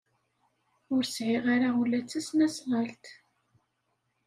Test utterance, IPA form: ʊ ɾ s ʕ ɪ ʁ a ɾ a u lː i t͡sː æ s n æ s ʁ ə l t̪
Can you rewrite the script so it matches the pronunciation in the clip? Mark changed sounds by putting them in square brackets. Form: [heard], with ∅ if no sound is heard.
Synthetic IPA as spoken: ʊ ɾ s ʕ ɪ ʁ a ɾ a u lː [æ] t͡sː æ s n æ s ʁ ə l t̪